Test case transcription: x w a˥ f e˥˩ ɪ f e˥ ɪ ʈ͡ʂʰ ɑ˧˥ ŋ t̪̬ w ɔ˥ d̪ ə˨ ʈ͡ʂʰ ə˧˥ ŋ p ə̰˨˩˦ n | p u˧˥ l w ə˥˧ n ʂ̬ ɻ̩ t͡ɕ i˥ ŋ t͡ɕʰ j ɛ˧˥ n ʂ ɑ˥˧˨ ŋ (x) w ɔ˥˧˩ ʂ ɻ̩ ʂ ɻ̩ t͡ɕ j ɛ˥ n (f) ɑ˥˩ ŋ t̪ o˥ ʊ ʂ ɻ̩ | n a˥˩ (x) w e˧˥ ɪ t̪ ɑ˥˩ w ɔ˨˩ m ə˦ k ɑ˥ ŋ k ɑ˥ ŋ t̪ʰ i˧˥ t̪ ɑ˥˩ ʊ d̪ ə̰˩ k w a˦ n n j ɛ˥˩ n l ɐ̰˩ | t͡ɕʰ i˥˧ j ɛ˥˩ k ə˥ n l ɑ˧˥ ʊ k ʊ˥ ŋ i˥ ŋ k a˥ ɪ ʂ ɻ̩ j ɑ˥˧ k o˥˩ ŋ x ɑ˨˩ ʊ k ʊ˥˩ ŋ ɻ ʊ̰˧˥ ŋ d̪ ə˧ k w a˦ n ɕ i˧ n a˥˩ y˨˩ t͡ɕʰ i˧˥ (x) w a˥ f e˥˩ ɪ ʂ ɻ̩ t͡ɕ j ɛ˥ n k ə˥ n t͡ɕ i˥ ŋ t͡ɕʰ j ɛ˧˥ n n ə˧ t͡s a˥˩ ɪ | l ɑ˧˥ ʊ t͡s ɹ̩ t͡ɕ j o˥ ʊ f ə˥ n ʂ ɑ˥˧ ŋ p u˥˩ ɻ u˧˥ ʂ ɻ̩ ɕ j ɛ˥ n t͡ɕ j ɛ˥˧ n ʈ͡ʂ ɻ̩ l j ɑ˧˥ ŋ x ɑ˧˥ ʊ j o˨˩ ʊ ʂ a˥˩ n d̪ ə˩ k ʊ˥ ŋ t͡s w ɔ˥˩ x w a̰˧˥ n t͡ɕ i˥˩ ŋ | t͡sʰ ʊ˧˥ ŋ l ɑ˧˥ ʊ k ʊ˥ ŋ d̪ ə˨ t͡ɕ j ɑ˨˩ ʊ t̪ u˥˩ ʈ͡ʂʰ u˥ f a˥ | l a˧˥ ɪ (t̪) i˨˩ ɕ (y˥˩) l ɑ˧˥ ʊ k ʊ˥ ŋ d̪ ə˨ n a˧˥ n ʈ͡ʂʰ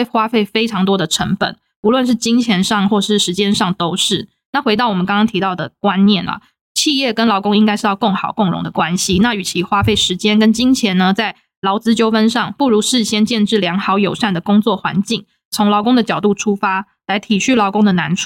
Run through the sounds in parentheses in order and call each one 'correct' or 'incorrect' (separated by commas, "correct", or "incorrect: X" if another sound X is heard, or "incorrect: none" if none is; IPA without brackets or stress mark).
correct, incorrect: ʂ, correct, correct, incorrect: t̪ʰ, correct